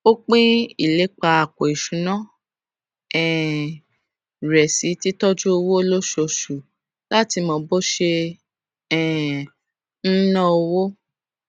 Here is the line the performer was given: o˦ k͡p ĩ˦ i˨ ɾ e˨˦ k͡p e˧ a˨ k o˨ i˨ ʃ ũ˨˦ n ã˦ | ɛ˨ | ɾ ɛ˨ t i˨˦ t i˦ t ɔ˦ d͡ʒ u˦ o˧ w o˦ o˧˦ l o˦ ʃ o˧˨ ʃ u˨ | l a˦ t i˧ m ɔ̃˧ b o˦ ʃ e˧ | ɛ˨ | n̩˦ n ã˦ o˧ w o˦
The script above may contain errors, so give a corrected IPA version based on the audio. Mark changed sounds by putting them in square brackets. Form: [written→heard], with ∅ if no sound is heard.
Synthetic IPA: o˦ k͡p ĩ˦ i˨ [ɾ→l] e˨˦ k͡p [e˧→a˧] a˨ k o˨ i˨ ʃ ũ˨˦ n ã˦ | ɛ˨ | ɾ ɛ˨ [t→s] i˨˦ t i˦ t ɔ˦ d͡ʒ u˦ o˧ w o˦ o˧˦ l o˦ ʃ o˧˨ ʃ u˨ | l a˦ t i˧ m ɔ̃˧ b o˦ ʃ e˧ | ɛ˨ | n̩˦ n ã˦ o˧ w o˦

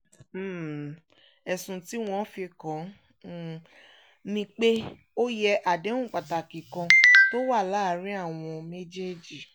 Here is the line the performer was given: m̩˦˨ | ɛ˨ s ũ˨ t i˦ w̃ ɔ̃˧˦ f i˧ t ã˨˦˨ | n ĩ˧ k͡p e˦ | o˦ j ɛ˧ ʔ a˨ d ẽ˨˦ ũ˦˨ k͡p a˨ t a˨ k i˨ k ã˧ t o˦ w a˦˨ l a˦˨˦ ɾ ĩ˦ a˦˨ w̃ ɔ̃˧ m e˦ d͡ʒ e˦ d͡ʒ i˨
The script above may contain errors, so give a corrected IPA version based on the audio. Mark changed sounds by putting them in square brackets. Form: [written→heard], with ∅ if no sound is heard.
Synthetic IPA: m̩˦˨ | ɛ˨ s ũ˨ t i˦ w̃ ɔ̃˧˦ f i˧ [t→k] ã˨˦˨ | n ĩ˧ k͡p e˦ | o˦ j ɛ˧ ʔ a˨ d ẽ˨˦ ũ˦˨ k͡p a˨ t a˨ k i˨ k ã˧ t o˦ w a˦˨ l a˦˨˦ ɾ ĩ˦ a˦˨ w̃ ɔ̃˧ m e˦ d͡ʒ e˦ d͡ʒ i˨

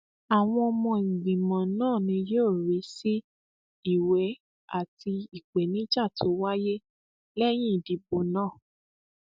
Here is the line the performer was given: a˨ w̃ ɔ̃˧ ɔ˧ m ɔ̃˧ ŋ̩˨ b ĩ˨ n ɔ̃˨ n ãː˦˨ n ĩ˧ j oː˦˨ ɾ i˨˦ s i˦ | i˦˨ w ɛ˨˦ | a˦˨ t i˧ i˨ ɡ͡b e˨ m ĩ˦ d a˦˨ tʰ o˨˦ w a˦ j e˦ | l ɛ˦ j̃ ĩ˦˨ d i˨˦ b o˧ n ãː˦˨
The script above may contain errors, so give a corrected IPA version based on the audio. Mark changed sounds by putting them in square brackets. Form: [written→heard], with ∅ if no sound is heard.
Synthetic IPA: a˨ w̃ ɔ̃˧ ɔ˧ m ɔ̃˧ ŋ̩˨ [b→ɡ͡b] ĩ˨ [n→m] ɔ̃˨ n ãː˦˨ n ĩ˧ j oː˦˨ ɾ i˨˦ s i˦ | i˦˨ w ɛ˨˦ | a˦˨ t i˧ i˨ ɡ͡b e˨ [m→n] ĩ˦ [d→d͡ʒ] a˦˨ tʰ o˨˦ w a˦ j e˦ | l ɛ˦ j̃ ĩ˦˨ d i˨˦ b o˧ n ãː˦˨

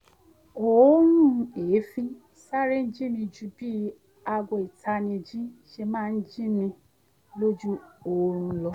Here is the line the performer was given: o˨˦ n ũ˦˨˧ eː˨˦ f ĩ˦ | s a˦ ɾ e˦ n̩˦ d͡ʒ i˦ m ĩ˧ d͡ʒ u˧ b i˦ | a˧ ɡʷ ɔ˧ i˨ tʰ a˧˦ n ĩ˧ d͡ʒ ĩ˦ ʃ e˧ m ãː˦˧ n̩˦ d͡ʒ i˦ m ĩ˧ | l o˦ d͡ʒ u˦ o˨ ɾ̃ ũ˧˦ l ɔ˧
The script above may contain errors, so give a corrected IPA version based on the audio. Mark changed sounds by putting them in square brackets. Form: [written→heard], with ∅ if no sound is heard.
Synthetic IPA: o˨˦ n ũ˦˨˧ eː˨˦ f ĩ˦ | s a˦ ɾ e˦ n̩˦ d͡ʒ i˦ m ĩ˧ d͡ʒ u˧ b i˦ | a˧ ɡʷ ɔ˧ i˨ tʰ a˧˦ n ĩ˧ d͡ʒ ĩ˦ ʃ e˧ m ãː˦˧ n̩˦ d͡ʒ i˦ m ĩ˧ | l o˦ d͡ʒ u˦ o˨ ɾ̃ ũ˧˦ l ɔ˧

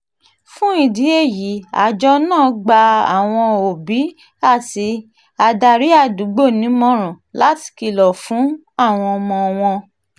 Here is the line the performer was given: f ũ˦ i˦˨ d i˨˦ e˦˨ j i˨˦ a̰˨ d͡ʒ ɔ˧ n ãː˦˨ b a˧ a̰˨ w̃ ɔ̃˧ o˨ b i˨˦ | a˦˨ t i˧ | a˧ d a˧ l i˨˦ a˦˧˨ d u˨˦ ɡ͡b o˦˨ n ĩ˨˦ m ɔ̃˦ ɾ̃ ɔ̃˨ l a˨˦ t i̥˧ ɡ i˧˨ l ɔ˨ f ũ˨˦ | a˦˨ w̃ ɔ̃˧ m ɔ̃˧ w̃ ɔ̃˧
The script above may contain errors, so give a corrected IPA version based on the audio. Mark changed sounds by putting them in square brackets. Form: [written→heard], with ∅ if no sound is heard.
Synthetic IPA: f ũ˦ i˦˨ d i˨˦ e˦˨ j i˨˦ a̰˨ d͡ʒ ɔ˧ n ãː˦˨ [b→ɡ͡b] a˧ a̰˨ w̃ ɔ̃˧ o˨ b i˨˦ | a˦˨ t i˧ | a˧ d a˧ [l→ɾ] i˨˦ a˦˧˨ d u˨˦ ɡ͡b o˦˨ n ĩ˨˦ m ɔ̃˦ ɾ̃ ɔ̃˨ l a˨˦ t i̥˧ [ɡ→k] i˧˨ l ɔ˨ f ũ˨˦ | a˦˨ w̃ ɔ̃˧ m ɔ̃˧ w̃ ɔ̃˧

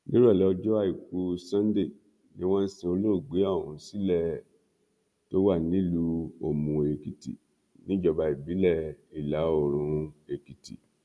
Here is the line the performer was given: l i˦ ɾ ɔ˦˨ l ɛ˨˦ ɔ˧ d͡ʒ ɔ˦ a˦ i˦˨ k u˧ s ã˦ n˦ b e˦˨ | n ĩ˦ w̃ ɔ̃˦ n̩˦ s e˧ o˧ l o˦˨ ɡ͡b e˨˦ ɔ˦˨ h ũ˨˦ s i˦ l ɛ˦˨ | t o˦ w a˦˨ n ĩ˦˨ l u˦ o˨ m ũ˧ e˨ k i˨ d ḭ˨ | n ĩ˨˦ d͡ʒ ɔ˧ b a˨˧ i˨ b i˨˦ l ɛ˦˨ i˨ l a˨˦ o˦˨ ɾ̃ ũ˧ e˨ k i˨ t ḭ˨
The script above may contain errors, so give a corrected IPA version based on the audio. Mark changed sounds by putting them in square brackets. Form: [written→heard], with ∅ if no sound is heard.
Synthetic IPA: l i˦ ɾ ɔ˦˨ l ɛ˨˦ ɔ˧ d͡ʒ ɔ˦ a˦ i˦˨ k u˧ s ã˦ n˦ [b→d] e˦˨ | n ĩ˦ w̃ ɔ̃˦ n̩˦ s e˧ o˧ l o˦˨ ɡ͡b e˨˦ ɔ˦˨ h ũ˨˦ s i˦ l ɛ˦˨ | t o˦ w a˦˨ n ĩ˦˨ l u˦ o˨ m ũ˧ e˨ k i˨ [d→t] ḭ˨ | n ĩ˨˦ d͡ʒ ɔ˧ b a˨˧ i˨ b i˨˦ l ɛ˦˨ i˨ l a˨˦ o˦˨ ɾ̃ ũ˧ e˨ k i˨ t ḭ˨

